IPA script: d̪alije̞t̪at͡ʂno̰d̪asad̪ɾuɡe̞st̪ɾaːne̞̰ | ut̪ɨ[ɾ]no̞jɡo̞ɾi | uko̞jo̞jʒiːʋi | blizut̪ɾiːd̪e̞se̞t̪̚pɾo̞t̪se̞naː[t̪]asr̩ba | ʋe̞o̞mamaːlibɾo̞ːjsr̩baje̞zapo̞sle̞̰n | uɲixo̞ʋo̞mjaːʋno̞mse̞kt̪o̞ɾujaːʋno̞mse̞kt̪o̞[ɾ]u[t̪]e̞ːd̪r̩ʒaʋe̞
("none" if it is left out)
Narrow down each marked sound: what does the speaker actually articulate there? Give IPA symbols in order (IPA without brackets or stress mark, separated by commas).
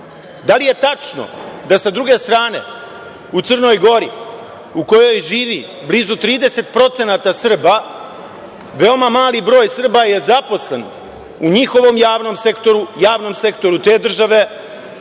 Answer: r, t̪, ɾ, t̪